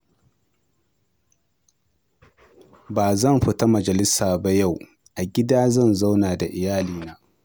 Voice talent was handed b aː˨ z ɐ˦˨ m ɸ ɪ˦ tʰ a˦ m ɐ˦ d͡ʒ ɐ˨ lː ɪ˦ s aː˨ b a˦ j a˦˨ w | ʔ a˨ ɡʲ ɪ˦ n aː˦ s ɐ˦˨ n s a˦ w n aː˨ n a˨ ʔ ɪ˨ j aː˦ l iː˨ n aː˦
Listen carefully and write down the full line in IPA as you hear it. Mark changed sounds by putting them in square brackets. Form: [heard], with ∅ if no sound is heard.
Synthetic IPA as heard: b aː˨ z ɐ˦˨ m ɸ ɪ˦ [t] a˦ m [ɐ˨] d͡ʒ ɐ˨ [l] ɪ˦ s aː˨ b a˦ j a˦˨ w | ʔ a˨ ɡʲ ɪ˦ [d] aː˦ [z] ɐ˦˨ n [z] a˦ w n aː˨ [d] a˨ ʔ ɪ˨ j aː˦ l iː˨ n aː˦